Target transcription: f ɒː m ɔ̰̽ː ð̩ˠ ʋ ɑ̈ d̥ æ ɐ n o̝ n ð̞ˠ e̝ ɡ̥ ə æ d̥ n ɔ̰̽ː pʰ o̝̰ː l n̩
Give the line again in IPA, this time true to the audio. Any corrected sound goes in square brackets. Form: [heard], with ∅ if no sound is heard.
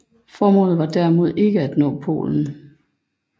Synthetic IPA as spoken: f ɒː m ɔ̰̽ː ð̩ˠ ʋ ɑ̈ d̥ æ ɐ [m] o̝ [∅] ð̞ˠ e̝ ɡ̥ ə æ d̥ n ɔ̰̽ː pʰ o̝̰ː l n̩